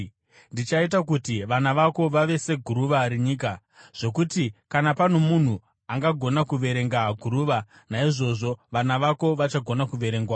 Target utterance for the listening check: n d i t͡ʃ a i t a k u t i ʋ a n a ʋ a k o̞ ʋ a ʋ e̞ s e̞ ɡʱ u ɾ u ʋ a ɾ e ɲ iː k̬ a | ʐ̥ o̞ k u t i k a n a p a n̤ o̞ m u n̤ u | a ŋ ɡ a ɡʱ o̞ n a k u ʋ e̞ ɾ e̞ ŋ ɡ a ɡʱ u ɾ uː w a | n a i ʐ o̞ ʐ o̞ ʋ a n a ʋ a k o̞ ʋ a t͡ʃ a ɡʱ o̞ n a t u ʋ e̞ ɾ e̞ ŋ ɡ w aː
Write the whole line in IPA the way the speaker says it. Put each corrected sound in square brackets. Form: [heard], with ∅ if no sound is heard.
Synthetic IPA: n d i t͡ʃ a i t a k u t i ʋ a n a ʋ a k o̞ ʋ a ʋ e̞ s e̞ ɡʱ u ɾ u ʋ a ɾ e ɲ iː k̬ a | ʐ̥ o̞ k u t i k a n a p a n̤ o̞ m u n̤ u | a ŋ ɡ a ɡʱ o̞ n a k u ʋ e̞ ɾ e̞ ŋ ɡ a ɡʱ u ɾ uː [ʋ] a | n a i ʐ o̞ ʐ o̞ ʋ a n a ʋ a k o̞ ʋ a t͡ʃ a ɡʱ o̞ n a [k] u ʋ e̞ ɾ e̞ ŋ ɡ w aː

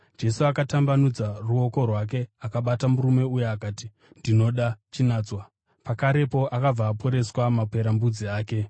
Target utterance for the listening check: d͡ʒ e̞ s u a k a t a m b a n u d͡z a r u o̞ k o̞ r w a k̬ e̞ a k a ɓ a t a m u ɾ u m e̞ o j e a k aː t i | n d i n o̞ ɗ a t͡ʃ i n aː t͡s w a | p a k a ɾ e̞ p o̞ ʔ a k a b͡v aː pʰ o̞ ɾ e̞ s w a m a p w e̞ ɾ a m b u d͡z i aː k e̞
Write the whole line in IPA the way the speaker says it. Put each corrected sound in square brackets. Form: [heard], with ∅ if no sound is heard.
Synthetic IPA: d͡ʒ e̞ s u a k a t a m b a n u d͡z a r u o̞ k o̞ r w a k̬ e̞ a k a ɓ a t a m u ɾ u m e̞ [u] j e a k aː t i | n d i n o̞ ɗ a t͡ʃ i n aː t͡s w a | p a k a ɾ e̞ p o̞ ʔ a k a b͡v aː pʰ o̞ ɾ e̞ s w a m a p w e̞ ɾ a m b u d͡z i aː k e̞

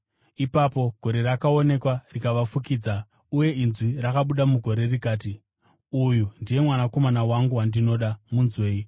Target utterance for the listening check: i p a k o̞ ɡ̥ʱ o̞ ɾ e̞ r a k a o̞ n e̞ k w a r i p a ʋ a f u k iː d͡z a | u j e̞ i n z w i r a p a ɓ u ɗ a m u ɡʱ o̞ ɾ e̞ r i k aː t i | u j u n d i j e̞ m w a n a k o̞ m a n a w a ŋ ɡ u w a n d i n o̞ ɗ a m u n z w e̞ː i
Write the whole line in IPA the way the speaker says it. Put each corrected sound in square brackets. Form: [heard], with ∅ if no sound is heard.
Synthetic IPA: i p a [p] o̞ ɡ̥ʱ o̞ ɾ e̞ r a k a o̞ n e̞ k w a r i [k] a ʋ a f u k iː d͡z a | u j e̞ i n z w i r a [k] a ɓ u ɗ a m u ɡʱ o̞ ɾ e̞ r i k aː t i | u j u n d i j e̞ m w a n a k o̞ m a n a w a ŋ ɡ u w a n d i n o̞ ɗ a m u n z w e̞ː i

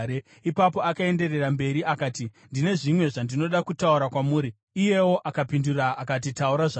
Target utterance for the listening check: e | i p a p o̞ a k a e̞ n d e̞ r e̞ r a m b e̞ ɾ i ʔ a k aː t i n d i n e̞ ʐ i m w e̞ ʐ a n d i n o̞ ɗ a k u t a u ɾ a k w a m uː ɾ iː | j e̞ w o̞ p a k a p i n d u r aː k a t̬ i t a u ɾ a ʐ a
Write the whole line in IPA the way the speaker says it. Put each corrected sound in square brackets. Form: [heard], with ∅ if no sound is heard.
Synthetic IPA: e | i p a p o̞ a k a e̞ n d e̞ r e̞ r a m b e̞ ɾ i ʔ a k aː t i n d i n e̞ ʐ i m w e̞ ʐ a n d i n o̞ ɗ a k u t a u ɾ a k w a m uː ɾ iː | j e̞ w o̞ [ʔ] a k a p i n d u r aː k a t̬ i t a u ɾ a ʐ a

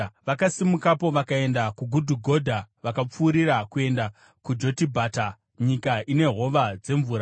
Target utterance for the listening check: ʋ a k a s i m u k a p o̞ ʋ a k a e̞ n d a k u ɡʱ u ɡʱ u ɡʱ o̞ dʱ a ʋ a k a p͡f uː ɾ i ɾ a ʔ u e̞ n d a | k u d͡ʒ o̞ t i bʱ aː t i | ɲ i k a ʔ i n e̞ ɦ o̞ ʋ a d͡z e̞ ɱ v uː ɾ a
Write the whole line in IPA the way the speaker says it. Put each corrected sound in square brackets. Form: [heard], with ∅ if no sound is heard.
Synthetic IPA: ʋ a k a s i m u k a p o̞ ʋ a k a e̞ n d a k u ɡʱ u [dʱ] u ɡʱ o̞ dʱ a ʋ a k a p͡f uː ɾ i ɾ a [k] u e̞ n d a | k u d͡ʒ o̞ t i bʱ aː t [a] | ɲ i k a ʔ i n e̞ ɦ o̞ ʋ a d͡z e̞ ɱ v uː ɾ a

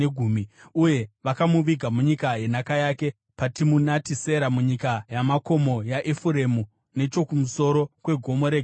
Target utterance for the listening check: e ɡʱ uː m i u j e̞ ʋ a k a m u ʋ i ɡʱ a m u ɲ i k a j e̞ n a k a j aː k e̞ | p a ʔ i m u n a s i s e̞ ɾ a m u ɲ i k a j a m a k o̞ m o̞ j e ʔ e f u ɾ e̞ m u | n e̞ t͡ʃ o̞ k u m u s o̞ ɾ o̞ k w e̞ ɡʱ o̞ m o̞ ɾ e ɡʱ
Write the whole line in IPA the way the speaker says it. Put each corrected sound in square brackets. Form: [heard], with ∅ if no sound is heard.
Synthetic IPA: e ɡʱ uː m i u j e̞ ʋ a k a m u ʋ i ɡʱ a m u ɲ i k a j e̞ n a k a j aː k e̞ | p a [t] i m u n a [t] i s e̞ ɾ a m u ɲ i k a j a m a k o̞ m o̞ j [a] ʔ e f u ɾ e̞ m u | n e̞ t͡ʃ o̞ k u m u s o̞ ɾ o̞ k w e̞ ɡʱ o̞ m o̞ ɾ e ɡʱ

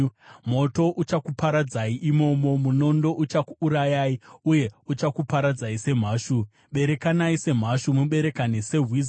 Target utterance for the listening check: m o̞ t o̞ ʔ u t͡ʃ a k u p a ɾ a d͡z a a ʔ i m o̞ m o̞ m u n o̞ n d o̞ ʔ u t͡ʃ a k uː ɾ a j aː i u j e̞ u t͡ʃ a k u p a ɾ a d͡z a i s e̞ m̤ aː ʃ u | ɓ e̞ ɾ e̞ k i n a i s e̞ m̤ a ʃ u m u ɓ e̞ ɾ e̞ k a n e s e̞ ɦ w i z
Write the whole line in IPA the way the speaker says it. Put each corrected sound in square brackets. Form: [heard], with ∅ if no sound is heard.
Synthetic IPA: m o̞ t o̞ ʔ u t͡ʃ a k u p a ɾ a d͡z a [i] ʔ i m o̞ m o̞ m u n o̞ n d o̞ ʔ u t͡ʃ a k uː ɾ a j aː i u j e̞ u t͡ʃ a k u p a ɾ a d͡z a i s e̞ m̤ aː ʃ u | ɓ e̞ ɾ e̞ k [a] n a i s e̞ m̤ a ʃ u m u ɓ e̞ ɾ e̞ k a n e s e̞ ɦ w i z

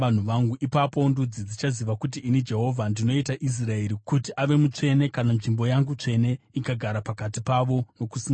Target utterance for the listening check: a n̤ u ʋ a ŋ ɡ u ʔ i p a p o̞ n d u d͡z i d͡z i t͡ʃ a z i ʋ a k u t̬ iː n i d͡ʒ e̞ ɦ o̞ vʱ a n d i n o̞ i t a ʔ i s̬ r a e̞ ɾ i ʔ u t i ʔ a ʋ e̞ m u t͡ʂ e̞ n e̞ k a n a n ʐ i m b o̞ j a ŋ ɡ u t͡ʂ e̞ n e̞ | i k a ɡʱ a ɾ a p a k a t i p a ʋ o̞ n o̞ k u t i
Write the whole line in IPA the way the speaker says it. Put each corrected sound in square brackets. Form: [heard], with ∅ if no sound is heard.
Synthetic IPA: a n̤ u ʋ a ŋ ɡ u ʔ i p a p o̞ n d u d͡z i d͡z i t͡ʃ a z i ʋ a k u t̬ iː n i d͡ʒ e̞ ɦ o̞ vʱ a n d i n o̞ i t a ʔ i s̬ r a e̞ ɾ i [k] u t i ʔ a ʋ e̞ m u t͡ʂ e̞ n e̞ k a n a n ʐ i m b o̞ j a ŋ ɡ u t͡ʂ e̞ n e̞ | i k a ɡʱ a ɾ a p a k a t i p a ʋ o̞ n o̞ k u [s] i

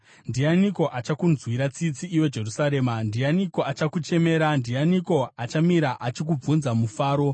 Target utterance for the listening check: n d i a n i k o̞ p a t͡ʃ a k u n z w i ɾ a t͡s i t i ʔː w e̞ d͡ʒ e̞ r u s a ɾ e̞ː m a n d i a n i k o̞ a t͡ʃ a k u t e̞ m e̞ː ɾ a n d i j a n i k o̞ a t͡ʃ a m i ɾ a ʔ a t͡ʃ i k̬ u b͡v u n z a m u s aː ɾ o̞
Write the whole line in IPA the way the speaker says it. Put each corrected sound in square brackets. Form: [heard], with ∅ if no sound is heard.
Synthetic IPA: n d i a n i k o̞ [ʔ] a t͡ʃ a k u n z w i ɾ a t͡s i [t͡s] i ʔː w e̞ d͡ʒ e̞ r u s a ɾ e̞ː m a n d i a n i k o̞ a t͡ʃ a k u [t͡ʃ] e̞ m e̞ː ɾ a n d i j a n i k o̞ a t͡ʃ a m i ɾ a ʔ a t͡ʃ i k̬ u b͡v u n z a m u [f] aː ɾ o̞

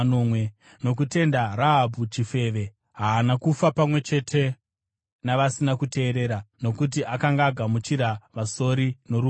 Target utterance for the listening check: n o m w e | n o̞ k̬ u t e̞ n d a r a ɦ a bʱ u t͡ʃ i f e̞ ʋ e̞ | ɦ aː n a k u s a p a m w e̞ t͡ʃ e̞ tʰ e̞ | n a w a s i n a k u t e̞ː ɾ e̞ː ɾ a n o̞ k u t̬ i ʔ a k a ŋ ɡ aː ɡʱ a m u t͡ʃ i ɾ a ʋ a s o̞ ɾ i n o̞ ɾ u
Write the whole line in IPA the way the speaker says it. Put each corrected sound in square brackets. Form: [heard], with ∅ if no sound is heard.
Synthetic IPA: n o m w e | n o̞ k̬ u t e̞ n d a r a ɦ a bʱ u t͡ʃ i f e̞ ʋ e̞ | ɦ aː n a k u [f] a p a m w e̞ t͡ʃ e̞ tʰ e̞ | n a [ʋ] a s i n a k u t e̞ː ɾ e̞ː ɾ a n o̞ k u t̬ i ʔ a k a ŋ ɡ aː ɡʱ a m u t͡ʃ i ɾ a ʋ a s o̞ ɾ i n o̞ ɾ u

